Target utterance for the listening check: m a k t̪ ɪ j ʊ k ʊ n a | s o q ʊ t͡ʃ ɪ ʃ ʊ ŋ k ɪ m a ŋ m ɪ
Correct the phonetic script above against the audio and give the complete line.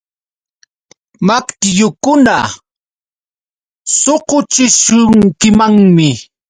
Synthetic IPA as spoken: m a k t̪ ɪ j ʊ k ʊ n a | s o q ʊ t͡ʃ ɪ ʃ ʊ ŋ k ɪ m a ŋ m ɪ